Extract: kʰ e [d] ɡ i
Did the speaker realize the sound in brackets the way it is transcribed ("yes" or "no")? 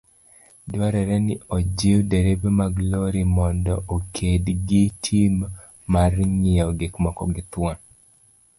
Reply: yes